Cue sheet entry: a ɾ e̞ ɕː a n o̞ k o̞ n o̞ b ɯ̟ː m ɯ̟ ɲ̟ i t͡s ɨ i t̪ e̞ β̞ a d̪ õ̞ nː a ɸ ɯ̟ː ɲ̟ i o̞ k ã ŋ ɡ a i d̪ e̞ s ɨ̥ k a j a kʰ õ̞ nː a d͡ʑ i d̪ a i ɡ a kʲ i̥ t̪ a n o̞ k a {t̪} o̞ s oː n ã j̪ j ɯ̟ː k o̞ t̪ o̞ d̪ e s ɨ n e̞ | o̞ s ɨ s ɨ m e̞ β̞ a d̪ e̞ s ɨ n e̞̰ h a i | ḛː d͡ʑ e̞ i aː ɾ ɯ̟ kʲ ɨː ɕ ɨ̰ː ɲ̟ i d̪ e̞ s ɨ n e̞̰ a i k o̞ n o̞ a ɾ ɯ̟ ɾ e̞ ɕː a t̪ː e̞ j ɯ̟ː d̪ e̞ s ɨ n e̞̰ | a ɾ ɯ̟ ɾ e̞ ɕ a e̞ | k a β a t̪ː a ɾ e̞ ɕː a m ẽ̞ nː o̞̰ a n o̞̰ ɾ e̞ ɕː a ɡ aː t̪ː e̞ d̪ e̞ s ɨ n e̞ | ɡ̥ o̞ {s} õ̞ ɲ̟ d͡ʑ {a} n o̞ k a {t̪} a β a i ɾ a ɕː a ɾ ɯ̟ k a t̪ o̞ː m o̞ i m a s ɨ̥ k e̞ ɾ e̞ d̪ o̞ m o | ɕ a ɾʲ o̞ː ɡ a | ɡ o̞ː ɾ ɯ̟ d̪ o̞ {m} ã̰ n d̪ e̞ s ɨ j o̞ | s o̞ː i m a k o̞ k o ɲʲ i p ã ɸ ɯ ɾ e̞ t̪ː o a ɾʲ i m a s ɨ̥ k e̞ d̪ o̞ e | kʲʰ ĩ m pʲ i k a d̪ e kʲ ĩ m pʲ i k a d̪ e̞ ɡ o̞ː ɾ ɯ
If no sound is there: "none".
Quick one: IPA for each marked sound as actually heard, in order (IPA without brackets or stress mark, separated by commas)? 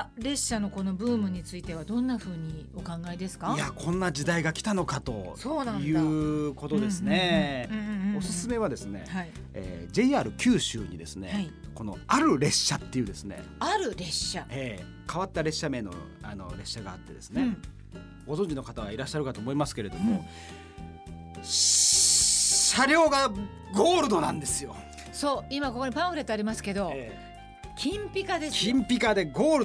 t̪, z, i, t̪, n